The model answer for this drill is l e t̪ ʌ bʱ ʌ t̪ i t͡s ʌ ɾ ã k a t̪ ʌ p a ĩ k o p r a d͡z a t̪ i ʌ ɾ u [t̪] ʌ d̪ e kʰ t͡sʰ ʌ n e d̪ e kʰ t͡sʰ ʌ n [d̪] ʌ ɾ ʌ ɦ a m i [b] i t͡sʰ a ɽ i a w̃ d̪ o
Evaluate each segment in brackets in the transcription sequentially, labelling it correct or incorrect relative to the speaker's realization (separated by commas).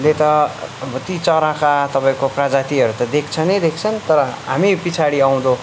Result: correct, incorrect, incorrect